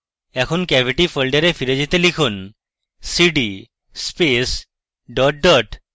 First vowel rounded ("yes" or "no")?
no